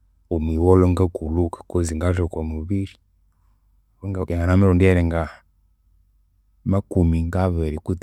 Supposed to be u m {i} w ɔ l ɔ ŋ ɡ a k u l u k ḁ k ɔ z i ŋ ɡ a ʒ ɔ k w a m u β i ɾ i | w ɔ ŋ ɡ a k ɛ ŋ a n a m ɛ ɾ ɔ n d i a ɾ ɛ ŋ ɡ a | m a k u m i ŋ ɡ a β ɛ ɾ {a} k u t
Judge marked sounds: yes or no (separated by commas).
yes, no